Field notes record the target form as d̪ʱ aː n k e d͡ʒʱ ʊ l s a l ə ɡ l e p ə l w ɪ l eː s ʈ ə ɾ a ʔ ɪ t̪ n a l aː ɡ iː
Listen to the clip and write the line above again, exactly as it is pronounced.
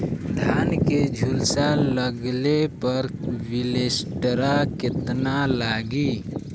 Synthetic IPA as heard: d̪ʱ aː n k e d͡ʒʱ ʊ l s a l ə ɡ l e p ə ɾ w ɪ l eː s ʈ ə ɾ a k ɪ t̪ n a l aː ɡ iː